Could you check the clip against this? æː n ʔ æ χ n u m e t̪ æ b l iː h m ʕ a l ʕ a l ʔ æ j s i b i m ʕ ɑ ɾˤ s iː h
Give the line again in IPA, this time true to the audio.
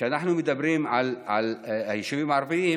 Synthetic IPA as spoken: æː n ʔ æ ħ n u m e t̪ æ b ɾ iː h m ʕ a l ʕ a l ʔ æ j ʃ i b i m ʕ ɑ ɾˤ f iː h